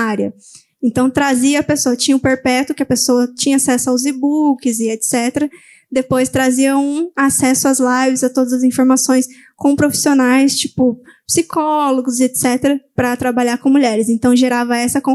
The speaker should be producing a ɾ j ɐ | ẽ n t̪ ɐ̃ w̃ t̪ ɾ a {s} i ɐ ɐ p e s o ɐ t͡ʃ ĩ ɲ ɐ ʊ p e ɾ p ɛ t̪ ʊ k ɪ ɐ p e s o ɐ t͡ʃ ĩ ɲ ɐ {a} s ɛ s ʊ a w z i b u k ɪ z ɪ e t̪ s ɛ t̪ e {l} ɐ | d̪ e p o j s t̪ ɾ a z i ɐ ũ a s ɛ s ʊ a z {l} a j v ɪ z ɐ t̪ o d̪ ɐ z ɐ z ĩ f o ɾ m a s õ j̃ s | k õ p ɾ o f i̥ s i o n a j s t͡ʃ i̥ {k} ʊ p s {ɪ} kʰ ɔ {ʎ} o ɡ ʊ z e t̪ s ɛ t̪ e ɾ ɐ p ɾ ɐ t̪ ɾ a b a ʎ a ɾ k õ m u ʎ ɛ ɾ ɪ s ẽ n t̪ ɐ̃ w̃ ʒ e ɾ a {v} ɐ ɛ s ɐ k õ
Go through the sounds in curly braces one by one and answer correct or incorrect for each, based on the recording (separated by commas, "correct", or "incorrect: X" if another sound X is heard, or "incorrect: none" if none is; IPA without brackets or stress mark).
incorrect: z, correct, incorrect: ɾ, correct, incorrect: p, incorrect: i, incorrect: l, correct